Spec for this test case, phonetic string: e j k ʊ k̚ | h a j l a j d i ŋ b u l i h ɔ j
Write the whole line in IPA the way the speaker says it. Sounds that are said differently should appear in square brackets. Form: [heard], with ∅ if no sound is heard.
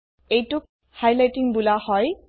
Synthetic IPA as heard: e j [t] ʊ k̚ | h a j l a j [t] i ŋ b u l [a] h ɔ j